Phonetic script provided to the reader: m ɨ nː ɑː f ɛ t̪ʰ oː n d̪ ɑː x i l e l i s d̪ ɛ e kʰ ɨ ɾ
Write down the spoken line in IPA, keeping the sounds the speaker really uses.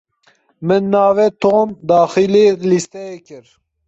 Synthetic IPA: m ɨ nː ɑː v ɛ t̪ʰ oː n d̪ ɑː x i l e l i s t̪ ɛ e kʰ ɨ ɾ